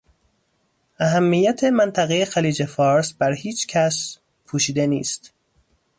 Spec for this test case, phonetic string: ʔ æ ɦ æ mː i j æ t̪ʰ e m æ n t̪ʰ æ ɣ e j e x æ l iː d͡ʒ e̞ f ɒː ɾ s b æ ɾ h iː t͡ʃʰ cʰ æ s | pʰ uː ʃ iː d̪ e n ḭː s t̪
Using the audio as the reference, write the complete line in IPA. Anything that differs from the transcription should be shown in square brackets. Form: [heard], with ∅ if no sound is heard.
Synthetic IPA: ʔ æ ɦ æ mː i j æ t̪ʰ e m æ n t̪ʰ æ ɣ e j e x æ l iː d͡ʒ e̞ f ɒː ɾ s b æ ɾ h iː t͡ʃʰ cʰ æ s | pʰ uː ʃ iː d̪ e n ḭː s t̪